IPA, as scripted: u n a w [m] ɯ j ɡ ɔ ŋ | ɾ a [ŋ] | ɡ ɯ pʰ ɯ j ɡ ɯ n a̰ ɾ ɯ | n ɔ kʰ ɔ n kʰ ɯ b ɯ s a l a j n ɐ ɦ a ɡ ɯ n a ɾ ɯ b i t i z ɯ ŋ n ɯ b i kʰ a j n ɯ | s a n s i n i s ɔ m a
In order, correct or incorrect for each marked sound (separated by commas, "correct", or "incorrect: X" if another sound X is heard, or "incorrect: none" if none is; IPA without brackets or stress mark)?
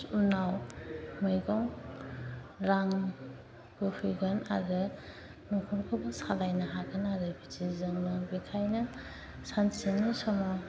correct, correct